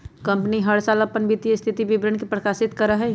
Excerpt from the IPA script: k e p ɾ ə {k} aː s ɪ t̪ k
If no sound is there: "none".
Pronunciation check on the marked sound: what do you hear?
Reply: k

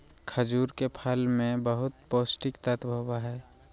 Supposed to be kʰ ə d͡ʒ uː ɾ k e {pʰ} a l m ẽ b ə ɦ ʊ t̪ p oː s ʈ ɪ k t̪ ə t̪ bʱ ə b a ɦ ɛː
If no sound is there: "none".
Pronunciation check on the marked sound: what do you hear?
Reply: pʰ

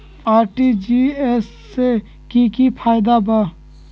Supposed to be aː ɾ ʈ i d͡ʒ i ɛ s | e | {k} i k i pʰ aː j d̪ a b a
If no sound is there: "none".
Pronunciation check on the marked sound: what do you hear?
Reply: k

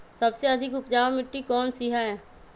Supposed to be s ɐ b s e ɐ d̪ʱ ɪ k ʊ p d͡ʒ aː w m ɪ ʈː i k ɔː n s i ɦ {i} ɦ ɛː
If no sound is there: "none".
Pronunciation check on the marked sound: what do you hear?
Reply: a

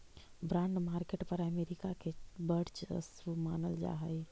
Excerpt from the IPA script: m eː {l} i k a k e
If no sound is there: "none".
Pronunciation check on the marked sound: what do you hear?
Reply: ɾ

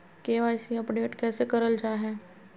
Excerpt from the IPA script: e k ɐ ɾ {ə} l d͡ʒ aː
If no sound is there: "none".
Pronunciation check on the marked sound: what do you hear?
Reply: ə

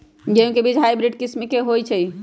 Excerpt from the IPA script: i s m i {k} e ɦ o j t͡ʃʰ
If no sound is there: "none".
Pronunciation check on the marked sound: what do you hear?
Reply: k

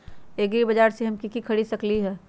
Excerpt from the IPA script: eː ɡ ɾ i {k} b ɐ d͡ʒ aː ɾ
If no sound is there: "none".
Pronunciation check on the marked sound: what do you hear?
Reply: none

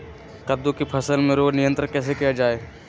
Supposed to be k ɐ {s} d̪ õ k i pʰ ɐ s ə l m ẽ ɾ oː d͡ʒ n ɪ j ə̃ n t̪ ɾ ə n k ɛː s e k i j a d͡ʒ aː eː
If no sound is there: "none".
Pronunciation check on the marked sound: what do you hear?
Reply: none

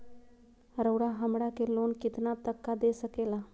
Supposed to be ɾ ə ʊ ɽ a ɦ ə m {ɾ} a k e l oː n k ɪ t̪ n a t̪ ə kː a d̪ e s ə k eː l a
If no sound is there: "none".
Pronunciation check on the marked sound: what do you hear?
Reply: ɽ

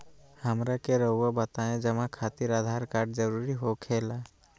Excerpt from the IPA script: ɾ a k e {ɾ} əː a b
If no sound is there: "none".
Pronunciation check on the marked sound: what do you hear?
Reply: ɾ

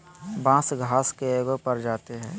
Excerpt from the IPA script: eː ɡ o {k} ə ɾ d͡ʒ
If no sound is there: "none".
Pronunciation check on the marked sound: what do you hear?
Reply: p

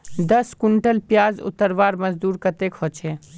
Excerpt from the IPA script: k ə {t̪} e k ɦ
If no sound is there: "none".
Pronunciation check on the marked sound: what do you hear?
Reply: t̪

